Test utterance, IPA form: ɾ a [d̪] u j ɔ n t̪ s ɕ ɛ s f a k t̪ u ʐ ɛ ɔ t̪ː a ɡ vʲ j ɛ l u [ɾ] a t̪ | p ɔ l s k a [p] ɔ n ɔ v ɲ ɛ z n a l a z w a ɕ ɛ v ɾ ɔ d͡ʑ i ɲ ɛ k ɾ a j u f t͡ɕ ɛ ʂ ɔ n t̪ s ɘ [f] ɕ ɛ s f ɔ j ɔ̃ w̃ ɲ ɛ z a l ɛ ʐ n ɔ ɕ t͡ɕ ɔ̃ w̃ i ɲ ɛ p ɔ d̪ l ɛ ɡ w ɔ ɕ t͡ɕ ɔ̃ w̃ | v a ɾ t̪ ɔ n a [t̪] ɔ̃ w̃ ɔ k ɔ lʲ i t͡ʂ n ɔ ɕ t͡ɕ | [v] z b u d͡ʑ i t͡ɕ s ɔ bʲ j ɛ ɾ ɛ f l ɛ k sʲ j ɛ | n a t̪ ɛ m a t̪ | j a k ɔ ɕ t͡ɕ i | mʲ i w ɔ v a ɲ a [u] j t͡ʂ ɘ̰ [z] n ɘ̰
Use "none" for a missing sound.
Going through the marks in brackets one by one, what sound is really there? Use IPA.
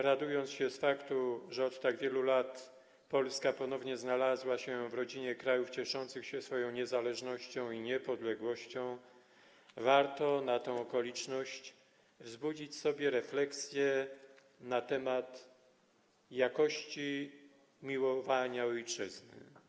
d̪, l, p, x, t̪, v, ɔ, z

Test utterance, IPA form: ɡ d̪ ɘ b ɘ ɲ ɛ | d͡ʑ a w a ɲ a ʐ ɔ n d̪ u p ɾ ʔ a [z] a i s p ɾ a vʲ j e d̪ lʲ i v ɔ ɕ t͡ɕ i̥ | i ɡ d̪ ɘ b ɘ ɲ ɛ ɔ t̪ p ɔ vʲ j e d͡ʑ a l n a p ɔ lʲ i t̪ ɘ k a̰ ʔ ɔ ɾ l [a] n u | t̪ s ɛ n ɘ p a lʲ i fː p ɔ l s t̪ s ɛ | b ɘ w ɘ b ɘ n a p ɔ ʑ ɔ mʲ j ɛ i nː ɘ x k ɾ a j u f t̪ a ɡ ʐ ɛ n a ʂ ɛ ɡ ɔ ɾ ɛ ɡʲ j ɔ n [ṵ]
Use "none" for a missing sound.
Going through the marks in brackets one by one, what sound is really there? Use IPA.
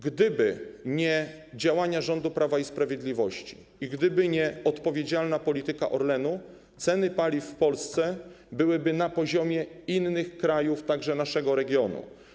v, ɛ, ṵ

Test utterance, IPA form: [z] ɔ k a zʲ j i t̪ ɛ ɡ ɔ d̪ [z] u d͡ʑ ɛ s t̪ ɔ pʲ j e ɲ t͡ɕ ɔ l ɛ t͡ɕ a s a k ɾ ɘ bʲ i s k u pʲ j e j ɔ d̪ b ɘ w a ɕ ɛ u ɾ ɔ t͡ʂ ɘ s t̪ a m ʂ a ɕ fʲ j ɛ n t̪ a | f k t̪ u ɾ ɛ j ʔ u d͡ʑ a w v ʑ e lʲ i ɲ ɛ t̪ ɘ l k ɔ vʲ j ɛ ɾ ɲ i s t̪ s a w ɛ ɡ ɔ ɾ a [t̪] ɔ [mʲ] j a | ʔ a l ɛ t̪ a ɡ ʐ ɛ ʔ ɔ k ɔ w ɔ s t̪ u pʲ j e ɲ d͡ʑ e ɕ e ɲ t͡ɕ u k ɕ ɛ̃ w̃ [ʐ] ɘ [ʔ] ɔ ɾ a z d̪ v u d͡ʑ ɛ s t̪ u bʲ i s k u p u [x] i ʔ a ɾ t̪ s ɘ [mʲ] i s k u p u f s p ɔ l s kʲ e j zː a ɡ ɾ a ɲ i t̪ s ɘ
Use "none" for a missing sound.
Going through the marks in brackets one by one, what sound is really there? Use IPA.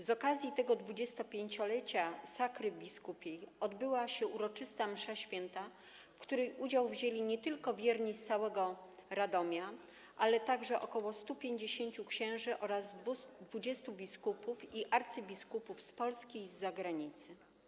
z, v, d̪, mʲ, ʐ, ʔ, f, bʲ

